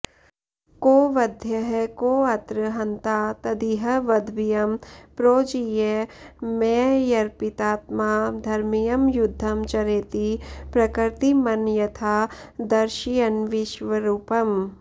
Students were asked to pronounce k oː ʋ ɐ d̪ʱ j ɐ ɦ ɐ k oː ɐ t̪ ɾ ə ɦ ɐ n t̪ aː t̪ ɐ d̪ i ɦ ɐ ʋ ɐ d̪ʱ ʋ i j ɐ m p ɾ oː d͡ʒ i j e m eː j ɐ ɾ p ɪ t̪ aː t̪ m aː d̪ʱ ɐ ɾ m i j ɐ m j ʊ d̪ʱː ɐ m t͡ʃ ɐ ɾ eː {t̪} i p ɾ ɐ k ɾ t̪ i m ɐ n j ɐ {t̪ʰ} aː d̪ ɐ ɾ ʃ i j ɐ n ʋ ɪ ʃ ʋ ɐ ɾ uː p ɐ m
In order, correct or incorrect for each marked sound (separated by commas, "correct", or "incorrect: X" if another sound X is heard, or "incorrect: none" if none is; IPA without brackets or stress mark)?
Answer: correct, correct